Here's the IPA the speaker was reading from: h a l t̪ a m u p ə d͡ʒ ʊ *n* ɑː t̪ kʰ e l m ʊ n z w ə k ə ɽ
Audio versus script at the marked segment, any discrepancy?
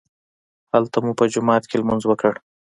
yes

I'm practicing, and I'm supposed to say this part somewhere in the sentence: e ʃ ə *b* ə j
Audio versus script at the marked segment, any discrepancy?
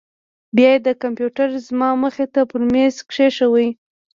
yes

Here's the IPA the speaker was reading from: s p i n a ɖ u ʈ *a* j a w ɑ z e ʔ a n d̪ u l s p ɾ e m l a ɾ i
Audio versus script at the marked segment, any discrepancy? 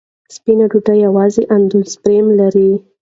no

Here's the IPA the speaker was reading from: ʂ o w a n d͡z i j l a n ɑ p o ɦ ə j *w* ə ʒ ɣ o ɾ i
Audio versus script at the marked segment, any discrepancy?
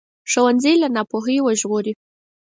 no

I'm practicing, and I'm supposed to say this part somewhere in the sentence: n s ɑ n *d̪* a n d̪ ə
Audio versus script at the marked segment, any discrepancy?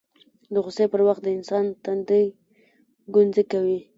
yes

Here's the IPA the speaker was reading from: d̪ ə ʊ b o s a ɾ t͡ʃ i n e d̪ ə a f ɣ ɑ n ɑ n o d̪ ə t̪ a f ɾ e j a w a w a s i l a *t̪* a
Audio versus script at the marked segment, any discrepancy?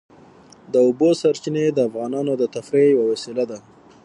yes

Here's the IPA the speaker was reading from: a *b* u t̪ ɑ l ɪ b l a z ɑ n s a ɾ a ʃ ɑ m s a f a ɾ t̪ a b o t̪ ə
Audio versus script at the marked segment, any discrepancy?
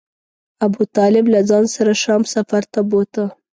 no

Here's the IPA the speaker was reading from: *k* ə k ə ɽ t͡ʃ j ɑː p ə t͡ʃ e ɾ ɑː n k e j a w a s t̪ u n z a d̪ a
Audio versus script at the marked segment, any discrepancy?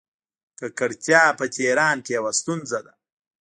no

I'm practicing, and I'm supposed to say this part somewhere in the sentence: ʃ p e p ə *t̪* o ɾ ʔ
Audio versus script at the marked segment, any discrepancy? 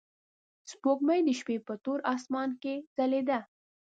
no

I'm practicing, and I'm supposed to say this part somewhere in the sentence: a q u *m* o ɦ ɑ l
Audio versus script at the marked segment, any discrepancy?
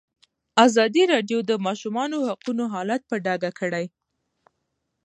yes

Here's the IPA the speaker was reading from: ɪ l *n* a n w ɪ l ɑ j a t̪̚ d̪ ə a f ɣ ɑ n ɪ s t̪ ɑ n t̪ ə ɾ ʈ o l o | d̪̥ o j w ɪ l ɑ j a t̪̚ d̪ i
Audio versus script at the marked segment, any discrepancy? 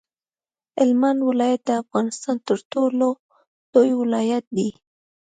yes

